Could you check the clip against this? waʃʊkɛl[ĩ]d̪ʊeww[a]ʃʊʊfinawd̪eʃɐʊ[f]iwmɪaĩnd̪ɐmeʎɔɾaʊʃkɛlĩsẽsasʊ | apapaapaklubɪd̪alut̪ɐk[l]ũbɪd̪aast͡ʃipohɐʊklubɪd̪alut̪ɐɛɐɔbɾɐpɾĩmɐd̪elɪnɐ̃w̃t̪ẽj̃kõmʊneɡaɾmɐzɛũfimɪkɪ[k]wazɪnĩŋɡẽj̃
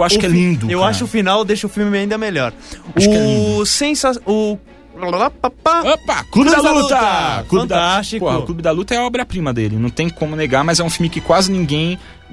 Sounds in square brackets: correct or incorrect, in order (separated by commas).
correct, correct, correct, correct, correct